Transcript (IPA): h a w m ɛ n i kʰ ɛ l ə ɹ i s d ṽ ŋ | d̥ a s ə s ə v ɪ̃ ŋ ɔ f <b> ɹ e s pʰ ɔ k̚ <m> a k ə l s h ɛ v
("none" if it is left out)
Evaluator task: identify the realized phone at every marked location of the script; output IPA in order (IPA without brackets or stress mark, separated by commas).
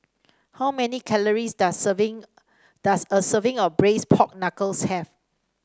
b, n